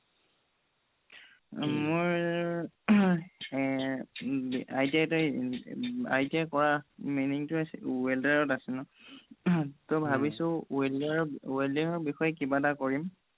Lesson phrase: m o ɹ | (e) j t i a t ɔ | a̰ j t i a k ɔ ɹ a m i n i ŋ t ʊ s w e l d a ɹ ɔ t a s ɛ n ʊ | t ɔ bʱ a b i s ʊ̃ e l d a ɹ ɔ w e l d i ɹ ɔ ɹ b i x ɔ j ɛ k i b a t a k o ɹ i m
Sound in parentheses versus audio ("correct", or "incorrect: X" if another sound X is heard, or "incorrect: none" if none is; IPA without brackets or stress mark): incorrect: a